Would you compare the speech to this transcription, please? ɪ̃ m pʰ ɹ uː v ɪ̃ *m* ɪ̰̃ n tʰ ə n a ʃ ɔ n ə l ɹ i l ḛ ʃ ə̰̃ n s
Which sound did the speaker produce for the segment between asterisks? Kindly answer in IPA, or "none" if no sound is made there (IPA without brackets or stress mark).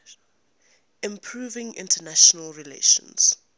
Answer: ŋ